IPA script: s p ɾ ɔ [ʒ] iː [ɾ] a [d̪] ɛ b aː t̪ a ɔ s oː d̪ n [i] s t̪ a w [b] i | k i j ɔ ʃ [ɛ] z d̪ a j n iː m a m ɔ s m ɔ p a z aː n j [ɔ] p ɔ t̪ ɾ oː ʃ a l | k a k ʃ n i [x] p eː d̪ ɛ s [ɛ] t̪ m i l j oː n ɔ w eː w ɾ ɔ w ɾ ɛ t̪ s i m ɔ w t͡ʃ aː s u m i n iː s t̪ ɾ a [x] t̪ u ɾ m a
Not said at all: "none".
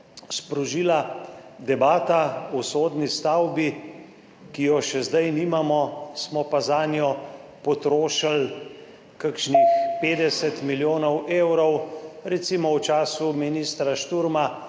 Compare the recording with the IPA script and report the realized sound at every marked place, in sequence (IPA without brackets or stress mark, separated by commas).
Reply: ʒ, l, d̪, i, b, ɛ, ɔ, x, ɛ, ʃ